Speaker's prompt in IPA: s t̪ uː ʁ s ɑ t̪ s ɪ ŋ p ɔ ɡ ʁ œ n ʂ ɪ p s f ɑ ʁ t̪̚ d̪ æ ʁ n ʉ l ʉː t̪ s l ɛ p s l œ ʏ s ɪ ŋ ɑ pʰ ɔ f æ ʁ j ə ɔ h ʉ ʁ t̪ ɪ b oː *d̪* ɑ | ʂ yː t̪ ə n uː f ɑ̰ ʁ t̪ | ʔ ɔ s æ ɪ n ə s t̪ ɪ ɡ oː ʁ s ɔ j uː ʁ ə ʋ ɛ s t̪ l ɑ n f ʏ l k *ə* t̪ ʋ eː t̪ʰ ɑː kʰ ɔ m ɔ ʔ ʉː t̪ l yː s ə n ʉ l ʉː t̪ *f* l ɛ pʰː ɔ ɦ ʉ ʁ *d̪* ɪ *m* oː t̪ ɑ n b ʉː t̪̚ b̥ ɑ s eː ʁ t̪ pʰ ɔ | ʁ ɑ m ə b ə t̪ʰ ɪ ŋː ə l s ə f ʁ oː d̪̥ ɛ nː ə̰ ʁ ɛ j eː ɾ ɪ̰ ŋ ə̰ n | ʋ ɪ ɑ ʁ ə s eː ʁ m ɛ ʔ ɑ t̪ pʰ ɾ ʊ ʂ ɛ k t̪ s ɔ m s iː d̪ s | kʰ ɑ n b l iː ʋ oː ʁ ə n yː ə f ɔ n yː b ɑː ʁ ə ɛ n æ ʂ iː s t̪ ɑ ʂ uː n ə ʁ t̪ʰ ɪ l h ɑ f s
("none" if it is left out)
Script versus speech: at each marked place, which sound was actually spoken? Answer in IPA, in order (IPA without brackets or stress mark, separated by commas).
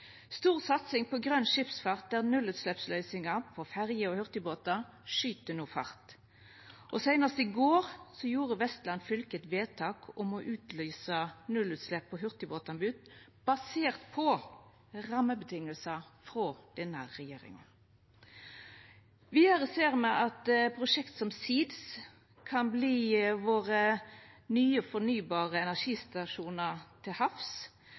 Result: t̪, ə, s, t̪, b